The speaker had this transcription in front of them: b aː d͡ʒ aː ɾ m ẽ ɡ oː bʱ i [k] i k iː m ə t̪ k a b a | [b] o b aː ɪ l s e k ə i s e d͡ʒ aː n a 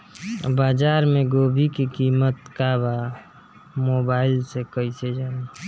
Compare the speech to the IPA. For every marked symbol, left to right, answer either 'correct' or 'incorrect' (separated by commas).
correct, incorrect